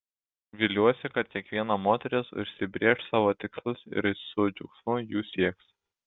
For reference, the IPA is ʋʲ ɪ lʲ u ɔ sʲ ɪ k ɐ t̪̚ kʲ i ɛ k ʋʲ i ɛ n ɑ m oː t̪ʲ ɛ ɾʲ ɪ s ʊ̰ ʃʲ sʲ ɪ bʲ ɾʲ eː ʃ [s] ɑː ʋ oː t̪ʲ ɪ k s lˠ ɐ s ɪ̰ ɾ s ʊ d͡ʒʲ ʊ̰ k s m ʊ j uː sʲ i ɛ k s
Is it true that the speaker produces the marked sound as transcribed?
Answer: yes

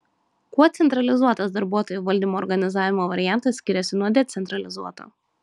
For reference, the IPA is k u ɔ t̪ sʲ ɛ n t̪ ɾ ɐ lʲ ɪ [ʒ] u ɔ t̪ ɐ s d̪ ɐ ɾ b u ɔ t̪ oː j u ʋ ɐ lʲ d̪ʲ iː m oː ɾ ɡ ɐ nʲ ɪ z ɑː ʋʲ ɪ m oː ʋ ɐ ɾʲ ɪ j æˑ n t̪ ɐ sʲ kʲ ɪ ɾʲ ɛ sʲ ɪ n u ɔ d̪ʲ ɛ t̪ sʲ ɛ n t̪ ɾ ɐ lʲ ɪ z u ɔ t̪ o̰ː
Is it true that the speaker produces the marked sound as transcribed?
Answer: no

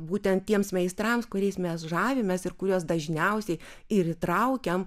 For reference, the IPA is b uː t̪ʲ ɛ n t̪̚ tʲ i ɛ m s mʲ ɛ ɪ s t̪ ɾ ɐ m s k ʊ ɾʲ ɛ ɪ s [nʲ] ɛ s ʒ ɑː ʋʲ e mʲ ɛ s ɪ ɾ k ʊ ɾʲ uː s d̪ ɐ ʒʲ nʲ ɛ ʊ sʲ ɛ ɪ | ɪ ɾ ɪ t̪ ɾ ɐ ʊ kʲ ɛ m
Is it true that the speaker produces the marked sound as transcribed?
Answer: no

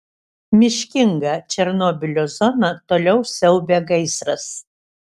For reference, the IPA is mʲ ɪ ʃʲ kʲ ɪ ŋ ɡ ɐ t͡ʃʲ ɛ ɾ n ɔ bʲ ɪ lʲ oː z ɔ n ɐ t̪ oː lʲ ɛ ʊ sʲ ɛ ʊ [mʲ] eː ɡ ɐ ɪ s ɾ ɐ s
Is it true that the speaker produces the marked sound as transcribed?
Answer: no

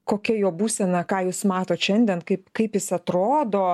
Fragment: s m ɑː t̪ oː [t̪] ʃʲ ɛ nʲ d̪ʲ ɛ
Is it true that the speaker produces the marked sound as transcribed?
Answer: yes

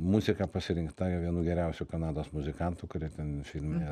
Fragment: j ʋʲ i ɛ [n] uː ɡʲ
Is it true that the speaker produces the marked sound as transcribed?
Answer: yes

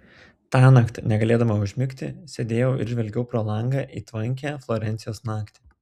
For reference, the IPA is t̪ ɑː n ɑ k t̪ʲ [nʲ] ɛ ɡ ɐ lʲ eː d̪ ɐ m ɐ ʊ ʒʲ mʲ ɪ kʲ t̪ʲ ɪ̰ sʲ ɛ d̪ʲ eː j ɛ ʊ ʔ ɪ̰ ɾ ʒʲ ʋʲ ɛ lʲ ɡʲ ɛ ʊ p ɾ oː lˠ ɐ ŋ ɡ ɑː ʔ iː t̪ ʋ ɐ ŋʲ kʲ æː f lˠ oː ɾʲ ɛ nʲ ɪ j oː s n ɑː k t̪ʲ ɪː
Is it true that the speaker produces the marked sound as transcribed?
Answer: yes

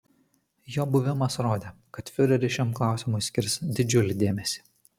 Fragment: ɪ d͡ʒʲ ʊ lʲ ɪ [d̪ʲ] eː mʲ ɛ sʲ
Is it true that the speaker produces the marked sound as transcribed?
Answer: yes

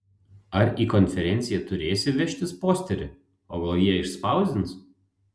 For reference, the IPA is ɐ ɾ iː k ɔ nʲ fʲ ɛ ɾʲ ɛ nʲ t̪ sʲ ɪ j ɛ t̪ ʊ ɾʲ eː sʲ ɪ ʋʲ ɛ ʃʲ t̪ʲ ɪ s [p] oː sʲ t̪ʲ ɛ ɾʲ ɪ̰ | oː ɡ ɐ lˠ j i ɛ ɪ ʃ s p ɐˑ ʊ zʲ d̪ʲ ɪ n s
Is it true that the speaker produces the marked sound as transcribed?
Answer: yes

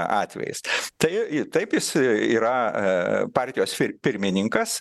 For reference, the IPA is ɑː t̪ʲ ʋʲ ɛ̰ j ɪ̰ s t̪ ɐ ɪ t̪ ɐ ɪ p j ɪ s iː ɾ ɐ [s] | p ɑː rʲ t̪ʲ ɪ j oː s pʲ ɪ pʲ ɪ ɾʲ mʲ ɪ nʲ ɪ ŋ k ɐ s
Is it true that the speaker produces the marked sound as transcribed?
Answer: no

